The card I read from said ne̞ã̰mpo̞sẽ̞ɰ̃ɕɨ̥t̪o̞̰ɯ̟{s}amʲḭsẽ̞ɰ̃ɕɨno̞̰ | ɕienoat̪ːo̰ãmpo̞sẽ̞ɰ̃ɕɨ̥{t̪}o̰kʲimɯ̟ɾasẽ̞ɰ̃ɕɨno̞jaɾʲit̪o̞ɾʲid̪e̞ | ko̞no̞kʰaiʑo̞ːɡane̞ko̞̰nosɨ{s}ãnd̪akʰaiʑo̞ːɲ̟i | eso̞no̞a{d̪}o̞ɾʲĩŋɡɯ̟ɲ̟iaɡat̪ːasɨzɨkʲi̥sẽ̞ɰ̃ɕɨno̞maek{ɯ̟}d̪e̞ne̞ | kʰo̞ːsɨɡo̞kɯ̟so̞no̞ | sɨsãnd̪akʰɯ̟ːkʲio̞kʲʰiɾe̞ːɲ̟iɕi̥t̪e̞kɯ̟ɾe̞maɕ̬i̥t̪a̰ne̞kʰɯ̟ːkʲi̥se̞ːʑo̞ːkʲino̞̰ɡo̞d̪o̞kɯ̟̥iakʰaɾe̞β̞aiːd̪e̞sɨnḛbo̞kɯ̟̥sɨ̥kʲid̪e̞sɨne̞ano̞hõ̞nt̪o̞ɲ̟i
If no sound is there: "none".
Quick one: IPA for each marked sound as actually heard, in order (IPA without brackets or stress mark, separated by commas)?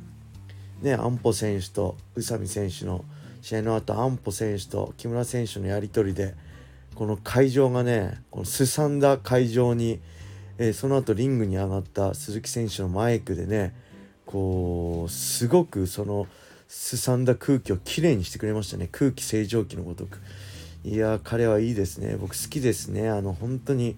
s, t̪, s, t̪, ɯ̟